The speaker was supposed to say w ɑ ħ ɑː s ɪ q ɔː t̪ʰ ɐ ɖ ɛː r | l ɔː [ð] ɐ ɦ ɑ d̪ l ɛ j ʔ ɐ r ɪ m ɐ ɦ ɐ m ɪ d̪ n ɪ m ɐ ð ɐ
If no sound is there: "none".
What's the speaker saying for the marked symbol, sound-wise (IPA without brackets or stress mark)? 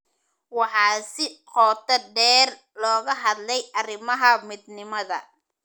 ɣ